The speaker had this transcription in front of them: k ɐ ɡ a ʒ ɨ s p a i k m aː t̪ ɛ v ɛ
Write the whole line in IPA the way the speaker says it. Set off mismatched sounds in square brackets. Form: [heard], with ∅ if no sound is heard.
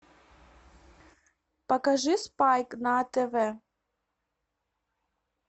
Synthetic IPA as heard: [p] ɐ [k] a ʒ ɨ s p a [j] k [n] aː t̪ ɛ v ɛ